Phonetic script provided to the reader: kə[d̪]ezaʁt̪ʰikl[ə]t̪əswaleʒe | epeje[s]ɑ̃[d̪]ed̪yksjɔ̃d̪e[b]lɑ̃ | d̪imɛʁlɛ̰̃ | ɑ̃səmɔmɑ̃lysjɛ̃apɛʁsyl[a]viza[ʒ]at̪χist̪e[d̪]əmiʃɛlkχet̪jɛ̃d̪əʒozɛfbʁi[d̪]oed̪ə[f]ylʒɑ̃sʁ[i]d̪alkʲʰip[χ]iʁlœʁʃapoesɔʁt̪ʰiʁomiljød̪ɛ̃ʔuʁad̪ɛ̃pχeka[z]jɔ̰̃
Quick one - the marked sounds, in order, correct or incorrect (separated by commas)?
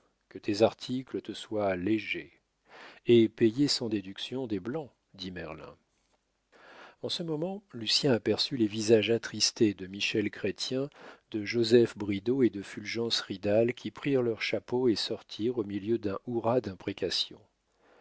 incorrect, correct, correct, correct, correct, incorrect, correct, correct, correct, correct, correct, correct, incorrect